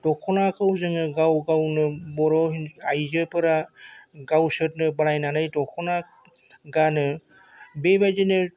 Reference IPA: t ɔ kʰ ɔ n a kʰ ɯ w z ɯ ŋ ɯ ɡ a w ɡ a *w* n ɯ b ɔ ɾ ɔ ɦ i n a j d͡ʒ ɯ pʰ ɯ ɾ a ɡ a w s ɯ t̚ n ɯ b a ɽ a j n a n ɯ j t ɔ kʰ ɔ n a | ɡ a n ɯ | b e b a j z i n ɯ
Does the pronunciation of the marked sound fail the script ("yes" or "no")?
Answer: no